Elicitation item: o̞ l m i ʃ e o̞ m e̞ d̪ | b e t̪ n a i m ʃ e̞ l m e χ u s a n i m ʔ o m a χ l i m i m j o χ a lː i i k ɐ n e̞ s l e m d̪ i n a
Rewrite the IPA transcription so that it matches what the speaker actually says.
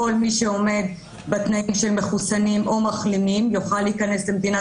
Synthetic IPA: o̞ l m i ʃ e o̞ m e̞ d̪ | b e t̪ n a i m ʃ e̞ l m e χ u s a n i m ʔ o m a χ l i m i m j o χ a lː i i k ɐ n e̞ s l e m d̪ i n a